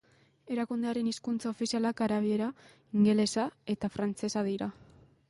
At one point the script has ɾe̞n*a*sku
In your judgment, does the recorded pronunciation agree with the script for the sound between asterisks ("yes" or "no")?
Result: no